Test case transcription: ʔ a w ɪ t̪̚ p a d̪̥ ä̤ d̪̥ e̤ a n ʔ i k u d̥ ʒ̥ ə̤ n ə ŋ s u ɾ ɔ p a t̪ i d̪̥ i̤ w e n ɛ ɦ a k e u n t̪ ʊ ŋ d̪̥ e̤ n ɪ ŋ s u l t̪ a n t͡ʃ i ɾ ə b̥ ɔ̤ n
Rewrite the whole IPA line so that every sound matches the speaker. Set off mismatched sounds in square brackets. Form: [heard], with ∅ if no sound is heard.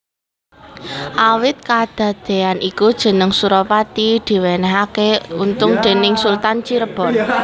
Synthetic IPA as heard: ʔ a w ɪ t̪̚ [k] a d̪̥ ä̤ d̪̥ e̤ a n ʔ i k u d̥ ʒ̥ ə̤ n ə ŋ s u ɾ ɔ p a t̪ i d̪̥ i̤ w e n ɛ ɦ a k e u n t̪ ʊ ŋ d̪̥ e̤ n ɪ ŋ s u l t̪ a n t͡ʃ i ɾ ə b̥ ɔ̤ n